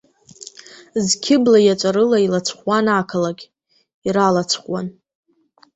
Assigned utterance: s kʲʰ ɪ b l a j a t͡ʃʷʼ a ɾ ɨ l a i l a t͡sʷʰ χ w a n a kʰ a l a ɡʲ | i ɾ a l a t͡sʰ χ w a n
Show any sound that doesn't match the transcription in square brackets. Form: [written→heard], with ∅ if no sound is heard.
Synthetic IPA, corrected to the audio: [s→z] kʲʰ ɪ b l a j a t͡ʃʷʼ a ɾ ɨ l a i l a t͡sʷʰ χ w a n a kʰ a l a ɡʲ | i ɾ a l a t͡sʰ χ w a n